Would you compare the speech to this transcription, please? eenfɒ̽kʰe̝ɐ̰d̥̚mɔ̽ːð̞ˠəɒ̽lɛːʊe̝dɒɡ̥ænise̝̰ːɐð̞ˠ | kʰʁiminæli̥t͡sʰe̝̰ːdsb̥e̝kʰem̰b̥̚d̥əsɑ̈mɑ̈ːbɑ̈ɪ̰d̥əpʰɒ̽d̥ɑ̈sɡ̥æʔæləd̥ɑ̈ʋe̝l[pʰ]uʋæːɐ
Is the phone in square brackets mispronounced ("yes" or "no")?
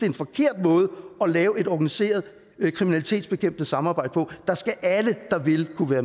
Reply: yes